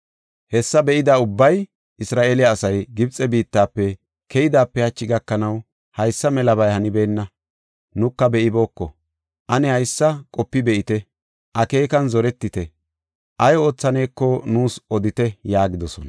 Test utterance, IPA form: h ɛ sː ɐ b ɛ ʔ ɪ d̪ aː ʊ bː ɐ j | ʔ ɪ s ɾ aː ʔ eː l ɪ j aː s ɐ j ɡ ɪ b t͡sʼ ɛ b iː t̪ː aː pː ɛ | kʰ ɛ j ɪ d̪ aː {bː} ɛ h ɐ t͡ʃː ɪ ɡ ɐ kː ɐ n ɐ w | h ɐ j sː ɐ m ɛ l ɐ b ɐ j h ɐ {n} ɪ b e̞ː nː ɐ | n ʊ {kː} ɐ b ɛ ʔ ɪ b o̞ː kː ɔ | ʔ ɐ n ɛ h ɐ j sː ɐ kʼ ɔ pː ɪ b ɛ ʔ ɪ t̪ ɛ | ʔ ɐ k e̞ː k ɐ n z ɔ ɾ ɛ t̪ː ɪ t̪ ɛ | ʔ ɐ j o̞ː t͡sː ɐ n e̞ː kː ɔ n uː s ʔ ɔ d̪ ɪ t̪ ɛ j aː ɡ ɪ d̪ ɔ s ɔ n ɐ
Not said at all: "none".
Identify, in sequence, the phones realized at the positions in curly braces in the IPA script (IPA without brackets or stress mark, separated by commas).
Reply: pː, n, kː